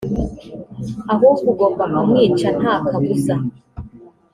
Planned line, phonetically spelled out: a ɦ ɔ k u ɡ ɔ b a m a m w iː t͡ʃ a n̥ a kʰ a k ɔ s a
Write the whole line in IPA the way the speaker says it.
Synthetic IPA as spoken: a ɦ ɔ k u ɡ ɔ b a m a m w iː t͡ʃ a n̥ a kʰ a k u s a